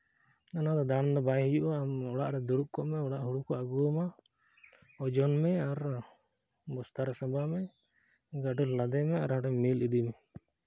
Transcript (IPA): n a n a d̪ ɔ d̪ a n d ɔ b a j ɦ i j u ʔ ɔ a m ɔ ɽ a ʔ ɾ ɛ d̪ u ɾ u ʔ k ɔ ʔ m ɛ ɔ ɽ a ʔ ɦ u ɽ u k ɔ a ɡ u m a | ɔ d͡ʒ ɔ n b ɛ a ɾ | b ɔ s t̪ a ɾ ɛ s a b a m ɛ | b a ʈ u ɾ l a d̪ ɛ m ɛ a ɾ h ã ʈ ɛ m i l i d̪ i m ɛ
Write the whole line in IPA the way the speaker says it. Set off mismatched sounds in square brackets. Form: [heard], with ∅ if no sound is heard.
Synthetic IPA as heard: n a n a d̪ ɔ d̪ a n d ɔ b a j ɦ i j u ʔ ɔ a m ɔ ɽ a ʔ ɾ ɛ d̪ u ɾ u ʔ k ɔ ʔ m ɛ ɔ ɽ a ʔ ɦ u ɽ u k ɔ a ɡ u m a | ɔ d͡ʒ ɔ n [m] ɛ a ɾ | b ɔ s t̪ a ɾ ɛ s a b a m ɛ | [ɡ] a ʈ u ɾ l a d̪ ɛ m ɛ a ɾ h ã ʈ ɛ m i l i d̪ i m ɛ